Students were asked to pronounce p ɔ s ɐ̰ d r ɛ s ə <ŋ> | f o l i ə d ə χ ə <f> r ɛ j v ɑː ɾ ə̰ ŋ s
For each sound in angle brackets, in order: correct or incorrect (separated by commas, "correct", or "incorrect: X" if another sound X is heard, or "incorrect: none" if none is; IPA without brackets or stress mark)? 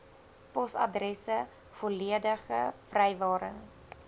incorrect: none, correct